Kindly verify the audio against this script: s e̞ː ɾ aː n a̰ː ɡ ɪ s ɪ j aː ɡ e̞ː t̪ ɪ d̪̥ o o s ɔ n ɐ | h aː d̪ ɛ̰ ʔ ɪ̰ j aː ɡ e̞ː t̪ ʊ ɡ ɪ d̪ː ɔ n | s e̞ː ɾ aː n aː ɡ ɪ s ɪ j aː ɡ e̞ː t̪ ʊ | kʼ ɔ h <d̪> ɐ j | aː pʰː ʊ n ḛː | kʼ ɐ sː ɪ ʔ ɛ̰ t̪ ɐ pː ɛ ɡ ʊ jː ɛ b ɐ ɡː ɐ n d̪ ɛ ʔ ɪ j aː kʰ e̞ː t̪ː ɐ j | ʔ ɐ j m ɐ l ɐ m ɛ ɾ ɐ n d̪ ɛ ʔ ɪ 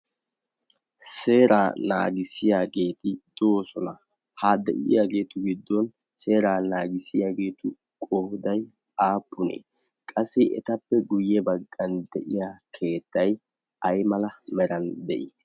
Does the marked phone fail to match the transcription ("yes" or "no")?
no